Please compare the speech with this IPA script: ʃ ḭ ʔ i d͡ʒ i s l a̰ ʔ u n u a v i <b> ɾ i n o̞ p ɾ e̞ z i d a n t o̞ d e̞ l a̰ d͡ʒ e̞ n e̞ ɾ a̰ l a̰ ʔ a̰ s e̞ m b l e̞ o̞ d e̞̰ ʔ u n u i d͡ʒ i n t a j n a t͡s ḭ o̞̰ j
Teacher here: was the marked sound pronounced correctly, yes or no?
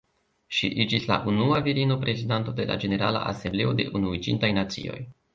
no